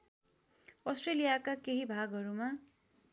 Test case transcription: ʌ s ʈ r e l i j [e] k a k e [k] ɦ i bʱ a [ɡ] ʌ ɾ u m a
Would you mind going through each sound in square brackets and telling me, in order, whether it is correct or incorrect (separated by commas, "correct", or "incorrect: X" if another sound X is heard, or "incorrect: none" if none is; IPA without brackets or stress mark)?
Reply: incorrect: a, incorrect: none, correct